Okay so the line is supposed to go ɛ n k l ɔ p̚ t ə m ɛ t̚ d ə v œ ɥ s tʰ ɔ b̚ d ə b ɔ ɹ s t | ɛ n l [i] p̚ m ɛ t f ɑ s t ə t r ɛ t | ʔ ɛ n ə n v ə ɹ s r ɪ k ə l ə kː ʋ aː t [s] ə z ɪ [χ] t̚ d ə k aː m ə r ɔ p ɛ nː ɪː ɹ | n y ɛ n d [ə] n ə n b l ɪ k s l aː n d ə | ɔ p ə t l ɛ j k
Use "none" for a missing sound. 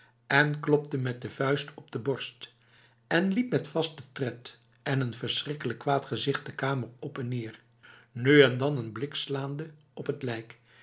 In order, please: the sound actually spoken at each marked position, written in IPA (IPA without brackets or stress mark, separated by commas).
i, χ, χ, ɑ